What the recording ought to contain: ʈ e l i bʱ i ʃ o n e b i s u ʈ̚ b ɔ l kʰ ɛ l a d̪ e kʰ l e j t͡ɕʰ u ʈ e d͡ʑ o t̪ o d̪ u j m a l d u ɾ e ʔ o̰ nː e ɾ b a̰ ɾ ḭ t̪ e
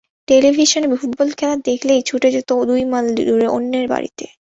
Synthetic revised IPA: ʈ e l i bʱ i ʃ o n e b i f u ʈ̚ b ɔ l kʰ ɛ l a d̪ e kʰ l e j t͡ɕʰ u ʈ e d͡ʑ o t̪ o d̪ u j m a l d u ɾ e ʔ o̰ nː e ɾ b a̰ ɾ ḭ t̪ e